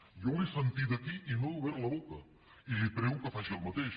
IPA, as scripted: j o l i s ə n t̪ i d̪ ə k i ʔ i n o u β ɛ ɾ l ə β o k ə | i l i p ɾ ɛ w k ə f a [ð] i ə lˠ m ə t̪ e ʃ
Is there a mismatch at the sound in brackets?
yes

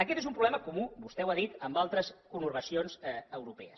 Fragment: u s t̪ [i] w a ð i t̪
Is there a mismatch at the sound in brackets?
yes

